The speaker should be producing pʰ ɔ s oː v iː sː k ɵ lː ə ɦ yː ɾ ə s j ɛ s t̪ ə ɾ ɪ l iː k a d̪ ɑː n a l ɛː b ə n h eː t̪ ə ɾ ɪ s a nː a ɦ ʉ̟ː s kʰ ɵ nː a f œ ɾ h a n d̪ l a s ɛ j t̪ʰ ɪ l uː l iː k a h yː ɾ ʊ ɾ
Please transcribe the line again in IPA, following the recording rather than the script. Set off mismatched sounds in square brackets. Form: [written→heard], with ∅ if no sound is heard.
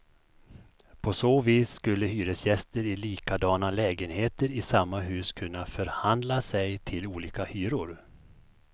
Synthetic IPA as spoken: pʰ ɔ s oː v iː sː k ɵ lː ə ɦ yː ɾ ə s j ɛ s t̪ ə ɾ ɪ l iː k a d̪ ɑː n a l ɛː [b→ɡ] ə n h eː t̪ ə ɾ ɪ s a [nː→mː] a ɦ ʉ̟ː s kʰ ɵ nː a f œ ɾ h a n d̪ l a s ɛ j t̪ʰ ɪ l uː l iː k a h yː ɾ ʊ ɾ